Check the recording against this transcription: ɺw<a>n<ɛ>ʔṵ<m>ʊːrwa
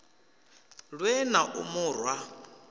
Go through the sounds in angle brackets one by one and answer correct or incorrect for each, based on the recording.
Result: incorrect: ɛ, incorrect: a, correct

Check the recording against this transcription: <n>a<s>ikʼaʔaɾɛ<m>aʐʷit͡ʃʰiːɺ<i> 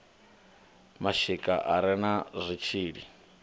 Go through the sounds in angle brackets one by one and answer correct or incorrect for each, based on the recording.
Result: incorrect: m, incorrect: ʃ, incorrect: n, correct

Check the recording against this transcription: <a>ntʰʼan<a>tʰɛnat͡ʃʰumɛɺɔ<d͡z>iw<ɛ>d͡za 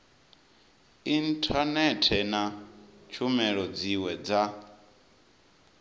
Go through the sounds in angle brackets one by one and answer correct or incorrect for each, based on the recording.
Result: incorrect: i, incorrect: ɛ, correct, correct

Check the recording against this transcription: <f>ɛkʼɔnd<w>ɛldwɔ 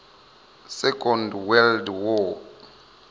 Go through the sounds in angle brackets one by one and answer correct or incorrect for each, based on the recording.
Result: incorrect: s, correct

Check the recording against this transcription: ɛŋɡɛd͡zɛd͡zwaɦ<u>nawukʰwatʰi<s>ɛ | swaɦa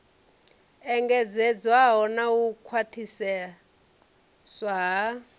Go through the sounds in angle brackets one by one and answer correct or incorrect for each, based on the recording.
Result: incorrect: ɔ, correct

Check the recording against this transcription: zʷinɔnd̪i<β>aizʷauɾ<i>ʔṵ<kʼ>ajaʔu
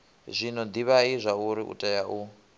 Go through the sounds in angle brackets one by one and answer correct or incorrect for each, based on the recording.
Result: correct, correct, incorrect: tʼ

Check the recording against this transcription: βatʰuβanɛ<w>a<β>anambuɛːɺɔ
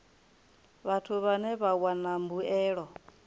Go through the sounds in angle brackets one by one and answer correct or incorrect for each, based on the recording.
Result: incorrect: β, incorrect: w

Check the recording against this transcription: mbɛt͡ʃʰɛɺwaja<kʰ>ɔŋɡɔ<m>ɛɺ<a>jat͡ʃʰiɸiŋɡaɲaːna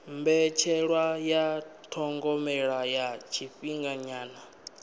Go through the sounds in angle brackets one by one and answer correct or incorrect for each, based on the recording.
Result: incorrect: tʰ, correct, correct

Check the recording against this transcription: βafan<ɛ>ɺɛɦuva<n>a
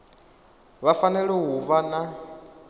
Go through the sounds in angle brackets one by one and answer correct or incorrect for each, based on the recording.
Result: correct, correct

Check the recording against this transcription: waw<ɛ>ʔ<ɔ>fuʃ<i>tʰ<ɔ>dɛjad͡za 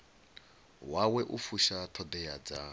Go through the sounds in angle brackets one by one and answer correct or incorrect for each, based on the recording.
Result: correct, incorrect: u, incorrect: a, correct

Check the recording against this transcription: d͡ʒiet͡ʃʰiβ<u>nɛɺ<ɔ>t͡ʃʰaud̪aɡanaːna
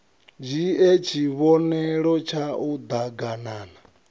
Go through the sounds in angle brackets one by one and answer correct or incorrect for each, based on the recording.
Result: incorrect: ɔ, correct

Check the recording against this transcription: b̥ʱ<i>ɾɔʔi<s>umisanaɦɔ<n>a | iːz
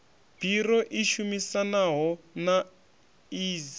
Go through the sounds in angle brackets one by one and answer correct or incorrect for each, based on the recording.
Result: correct, incorrect: ʃ, correct

